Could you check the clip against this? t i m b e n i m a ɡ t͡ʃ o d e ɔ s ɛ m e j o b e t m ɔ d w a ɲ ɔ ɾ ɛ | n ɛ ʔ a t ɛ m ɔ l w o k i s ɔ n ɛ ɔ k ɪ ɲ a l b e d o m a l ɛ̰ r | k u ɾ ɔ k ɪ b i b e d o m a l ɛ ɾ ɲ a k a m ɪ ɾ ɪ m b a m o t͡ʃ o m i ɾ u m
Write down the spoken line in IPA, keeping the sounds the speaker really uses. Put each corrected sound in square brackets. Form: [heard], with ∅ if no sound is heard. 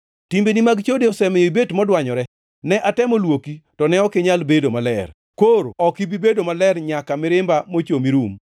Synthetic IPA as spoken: t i m b e n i m a ɡ t͡ʃ o d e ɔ s ɛ m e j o b e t m ɔ d w a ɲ ɔ ɾ ɛ | n ɛ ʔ a t ɛ m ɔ l w o k i [t] ɔ n ɛ ɔ k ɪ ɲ a l b e d o m a l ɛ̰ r | k [o] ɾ ɔ k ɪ b i b e d o m a l ɛ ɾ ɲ a k a m ɪ ɾ ɪ m b a m o t͡ʃ o m i ɾ u m